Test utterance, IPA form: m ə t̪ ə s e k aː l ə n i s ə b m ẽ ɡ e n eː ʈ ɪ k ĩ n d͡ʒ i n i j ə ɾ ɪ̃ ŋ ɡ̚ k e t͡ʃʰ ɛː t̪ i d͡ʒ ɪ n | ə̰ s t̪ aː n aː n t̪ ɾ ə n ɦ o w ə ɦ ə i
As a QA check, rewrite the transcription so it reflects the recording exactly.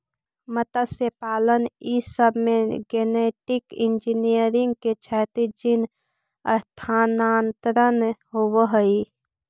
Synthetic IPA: m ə t̪ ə s e p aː l ə n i s ə b m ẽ ɡ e n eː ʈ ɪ k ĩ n d͡ʒ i n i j ə ɾ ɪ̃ ŋ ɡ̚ k e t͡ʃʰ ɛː t̪ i d͡ʒ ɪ n | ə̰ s t̪ʰ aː n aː n t̪ ɾ ə n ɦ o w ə ɦ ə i